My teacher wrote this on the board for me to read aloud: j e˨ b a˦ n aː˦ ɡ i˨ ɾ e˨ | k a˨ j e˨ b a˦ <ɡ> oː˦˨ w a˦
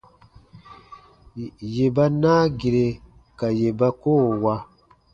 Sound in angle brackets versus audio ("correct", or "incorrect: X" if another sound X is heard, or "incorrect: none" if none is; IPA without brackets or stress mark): incorrect: k